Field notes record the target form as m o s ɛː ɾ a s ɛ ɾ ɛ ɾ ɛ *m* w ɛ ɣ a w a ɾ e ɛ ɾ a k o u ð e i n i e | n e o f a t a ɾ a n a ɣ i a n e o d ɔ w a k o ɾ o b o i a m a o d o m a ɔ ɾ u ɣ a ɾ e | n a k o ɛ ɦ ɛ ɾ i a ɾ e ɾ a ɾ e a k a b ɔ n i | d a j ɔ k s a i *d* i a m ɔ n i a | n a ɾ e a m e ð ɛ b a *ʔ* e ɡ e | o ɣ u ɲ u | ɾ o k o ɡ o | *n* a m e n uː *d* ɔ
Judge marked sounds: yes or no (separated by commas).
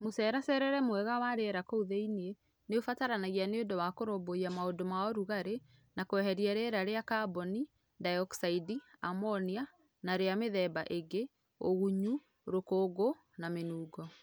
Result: yes, yes, yes, yes, no